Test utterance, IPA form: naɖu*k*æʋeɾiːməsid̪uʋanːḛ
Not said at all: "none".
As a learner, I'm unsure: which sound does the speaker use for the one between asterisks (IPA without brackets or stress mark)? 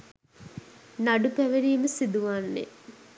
p